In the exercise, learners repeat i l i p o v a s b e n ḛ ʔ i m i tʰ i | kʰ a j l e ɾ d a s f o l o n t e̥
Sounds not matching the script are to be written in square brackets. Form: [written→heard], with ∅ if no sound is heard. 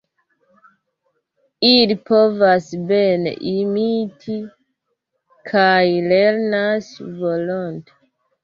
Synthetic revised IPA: i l i p o v a s b e n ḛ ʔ i m i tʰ i | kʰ a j l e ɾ [d→n] a s [f→v] o l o n t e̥